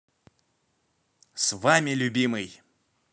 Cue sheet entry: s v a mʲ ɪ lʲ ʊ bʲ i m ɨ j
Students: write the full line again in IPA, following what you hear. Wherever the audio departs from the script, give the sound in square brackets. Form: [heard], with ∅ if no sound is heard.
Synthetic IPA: s v a mʲ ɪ lʲ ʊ bʲ i m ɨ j

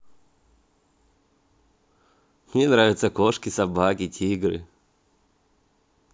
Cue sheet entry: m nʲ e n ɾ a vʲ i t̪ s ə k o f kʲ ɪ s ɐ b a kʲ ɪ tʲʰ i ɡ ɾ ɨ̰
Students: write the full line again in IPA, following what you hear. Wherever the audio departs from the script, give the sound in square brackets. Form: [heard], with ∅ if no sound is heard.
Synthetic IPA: m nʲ e n ɾ a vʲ [ɪ] t̪ s ə k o [ʂ] kʲ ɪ s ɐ b a kʲ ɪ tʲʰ i ɡ ɾ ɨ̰

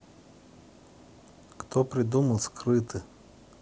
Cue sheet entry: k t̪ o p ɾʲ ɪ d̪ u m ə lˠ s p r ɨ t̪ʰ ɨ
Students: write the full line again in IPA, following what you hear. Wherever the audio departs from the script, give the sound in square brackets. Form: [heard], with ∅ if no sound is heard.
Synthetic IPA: k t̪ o p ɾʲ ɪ d̪ u m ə lˠ s [k] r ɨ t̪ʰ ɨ

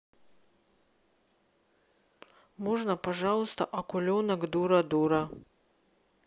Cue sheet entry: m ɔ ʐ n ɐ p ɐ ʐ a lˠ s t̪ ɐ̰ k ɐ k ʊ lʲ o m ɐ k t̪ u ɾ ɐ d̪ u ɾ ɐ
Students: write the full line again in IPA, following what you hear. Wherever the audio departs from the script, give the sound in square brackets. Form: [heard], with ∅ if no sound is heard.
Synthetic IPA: m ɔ ʐ n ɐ p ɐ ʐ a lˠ s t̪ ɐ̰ [ʔ] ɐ k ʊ lʲ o [n] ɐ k [d̪] u ɾ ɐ d̪ u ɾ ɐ

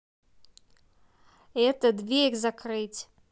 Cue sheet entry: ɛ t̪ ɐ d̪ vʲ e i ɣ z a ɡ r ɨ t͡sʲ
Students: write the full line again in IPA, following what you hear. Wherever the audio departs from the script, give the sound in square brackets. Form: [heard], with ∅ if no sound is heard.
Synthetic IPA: ɛ t̪ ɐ d̪ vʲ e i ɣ z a [k] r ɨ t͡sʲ

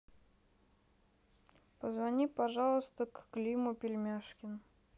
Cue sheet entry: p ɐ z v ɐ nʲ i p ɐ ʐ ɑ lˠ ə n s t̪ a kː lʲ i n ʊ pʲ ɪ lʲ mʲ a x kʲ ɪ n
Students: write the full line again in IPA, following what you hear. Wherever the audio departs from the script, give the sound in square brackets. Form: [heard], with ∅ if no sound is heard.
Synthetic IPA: p [ə] z v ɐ nʲ i p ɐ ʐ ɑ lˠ ə [∅] s t̪ [ə] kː lʲ i [m] ʊ pʲ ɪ lʲ mʲ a [ʂ] kʲ ɪ n

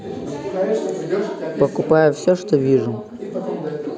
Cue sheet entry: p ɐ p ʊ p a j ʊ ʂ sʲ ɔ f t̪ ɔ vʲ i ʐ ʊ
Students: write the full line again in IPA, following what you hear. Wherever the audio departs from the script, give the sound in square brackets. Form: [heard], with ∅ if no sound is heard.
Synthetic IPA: p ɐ [k] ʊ p a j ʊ [f] sʲ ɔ [ʂ] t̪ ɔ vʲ i ʐ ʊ

